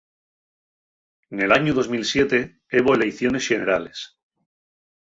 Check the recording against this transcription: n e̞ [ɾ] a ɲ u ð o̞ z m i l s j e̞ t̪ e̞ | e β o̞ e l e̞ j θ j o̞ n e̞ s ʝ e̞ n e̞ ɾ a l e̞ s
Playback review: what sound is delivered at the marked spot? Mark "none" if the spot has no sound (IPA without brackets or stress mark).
l